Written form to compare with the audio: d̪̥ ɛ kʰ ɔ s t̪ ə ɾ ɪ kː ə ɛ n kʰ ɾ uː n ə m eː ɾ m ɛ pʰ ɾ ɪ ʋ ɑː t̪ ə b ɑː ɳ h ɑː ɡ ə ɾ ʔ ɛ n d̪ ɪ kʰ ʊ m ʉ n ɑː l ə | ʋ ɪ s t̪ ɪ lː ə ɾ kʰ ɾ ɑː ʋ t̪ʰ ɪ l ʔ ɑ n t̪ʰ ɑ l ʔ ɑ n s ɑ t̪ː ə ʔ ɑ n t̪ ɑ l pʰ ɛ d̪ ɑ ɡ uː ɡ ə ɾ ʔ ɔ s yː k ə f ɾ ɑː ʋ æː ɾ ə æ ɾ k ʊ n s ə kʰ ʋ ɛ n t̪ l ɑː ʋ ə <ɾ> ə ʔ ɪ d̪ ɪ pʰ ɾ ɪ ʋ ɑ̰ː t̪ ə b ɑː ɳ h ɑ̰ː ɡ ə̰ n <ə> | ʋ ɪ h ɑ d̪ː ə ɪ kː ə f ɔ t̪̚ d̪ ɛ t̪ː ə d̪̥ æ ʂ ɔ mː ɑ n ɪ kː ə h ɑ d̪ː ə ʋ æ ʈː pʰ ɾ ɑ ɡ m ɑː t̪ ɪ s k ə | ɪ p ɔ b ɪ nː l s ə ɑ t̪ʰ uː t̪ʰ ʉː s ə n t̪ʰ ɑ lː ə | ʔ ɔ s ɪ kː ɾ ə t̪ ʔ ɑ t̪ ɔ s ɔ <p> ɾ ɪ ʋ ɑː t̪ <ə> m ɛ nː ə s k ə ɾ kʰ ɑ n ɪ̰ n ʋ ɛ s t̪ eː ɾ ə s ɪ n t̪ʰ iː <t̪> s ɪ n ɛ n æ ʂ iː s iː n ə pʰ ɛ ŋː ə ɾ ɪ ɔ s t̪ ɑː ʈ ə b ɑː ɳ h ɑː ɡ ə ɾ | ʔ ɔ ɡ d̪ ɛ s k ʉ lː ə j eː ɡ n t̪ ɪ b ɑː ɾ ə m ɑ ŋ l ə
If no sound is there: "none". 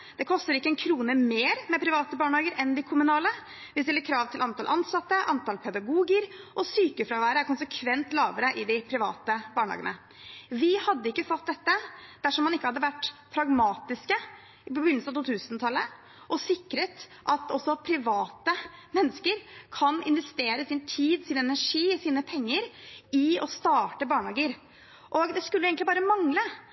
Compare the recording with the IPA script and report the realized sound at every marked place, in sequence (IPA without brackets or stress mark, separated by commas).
ɾ, ə, pʰ, ə, d̪